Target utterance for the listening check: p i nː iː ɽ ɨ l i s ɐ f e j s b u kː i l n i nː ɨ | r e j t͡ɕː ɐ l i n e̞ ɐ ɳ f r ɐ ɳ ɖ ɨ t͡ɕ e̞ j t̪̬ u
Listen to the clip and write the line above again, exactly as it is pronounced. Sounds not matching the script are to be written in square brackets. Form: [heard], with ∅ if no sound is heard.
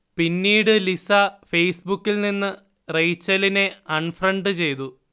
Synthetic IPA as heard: p i nː iː ɽ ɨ l i s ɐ f e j s b u kː i l n i nː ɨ | r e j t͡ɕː ɐ l i n e̞ ɐ ɳ f r ɐ ɳ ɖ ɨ t͡ɕ e̞ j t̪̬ u